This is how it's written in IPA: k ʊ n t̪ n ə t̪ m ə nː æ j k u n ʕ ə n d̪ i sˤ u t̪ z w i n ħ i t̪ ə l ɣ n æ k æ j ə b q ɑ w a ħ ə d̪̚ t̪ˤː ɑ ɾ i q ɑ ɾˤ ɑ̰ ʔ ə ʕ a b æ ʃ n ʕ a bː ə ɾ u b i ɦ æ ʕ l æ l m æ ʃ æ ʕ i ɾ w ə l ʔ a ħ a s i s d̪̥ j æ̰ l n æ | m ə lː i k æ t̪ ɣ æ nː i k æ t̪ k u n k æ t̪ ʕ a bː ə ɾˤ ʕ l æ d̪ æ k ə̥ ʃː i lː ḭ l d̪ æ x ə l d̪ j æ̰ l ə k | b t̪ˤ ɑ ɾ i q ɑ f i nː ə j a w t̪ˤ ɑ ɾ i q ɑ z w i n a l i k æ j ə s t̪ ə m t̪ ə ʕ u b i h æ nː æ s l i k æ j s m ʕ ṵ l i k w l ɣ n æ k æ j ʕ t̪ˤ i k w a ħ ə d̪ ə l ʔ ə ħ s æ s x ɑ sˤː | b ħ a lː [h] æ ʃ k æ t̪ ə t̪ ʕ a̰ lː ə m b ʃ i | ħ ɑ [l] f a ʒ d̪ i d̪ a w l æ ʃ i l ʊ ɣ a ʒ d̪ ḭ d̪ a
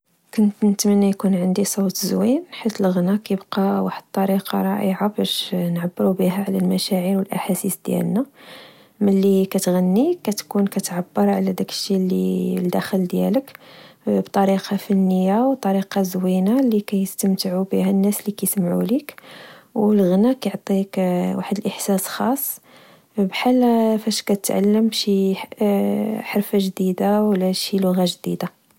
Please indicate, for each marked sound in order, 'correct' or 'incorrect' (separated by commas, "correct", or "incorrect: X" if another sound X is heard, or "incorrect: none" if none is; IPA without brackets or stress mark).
incorrect: f, incorrect: ɾ